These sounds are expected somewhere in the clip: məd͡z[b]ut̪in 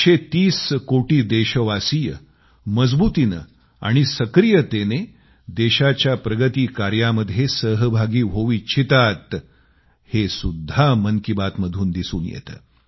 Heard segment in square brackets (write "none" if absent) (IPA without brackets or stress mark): b